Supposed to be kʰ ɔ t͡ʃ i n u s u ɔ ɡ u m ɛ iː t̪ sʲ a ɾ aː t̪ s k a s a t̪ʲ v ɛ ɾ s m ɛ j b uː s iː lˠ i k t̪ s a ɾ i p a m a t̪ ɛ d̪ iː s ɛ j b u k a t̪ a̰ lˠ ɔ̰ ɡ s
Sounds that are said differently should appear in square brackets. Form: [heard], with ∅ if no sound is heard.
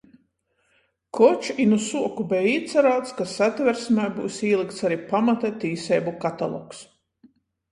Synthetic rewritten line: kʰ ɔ t͡ʃ i n u s u ɔ [k] u [b] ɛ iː t̪ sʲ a ɾ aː t̪ s k a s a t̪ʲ v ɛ ɾ s m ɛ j b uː s iː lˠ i k t̪ s a ɾ i p a m a t̪ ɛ [t̪] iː s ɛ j b u k a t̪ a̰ lˠ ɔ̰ [k] s